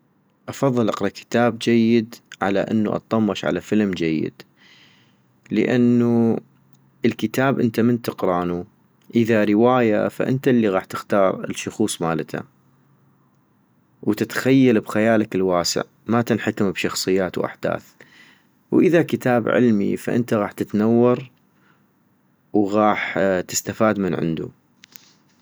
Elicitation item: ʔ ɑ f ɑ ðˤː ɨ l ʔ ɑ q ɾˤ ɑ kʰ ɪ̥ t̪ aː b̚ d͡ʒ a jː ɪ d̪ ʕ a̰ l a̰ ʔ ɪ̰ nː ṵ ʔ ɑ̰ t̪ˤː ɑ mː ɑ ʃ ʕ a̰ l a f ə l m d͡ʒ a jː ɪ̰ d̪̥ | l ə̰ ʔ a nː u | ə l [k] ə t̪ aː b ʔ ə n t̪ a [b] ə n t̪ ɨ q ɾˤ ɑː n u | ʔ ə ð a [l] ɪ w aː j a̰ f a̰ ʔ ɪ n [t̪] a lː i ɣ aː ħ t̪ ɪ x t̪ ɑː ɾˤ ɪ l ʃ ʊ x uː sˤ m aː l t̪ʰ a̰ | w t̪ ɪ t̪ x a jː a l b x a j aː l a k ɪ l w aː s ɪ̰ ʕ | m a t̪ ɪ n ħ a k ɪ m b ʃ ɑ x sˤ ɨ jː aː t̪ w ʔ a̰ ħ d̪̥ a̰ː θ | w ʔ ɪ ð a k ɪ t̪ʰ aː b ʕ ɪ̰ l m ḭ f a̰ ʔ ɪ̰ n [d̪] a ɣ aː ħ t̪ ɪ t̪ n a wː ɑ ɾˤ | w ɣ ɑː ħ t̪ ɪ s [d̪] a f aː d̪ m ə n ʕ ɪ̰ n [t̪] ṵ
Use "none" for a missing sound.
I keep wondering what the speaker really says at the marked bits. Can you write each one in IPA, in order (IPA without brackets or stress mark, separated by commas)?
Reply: k, m, ɾ, t̪, t̪, t̪, d̪